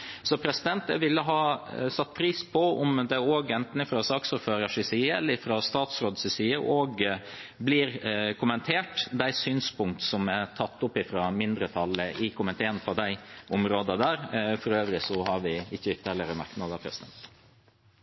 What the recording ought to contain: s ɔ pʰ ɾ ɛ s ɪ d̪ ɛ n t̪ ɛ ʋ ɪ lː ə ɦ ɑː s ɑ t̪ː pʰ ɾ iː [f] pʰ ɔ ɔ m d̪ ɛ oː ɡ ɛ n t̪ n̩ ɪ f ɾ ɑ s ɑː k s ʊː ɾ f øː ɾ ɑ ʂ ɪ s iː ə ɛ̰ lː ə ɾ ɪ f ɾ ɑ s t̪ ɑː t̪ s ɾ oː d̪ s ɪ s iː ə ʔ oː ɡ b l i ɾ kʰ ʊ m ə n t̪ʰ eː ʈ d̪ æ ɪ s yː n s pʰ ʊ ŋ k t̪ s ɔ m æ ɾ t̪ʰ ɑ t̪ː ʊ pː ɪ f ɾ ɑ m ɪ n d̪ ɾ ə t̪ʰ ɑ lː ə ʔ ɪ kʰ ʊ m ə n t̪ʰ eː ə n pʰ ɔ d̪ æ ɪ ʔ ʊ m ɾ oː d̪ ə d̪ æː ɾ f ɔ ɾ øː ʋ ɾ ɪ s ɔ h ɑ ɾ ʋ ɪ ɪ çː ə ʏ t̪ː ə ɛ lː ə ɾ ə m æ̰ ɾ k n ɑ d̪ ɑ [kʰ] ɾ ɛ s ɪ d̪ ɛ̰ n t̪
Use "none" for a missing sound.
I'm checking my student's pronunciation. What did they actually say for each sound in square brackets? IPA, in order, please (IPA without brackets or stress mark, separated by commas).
s, pʰ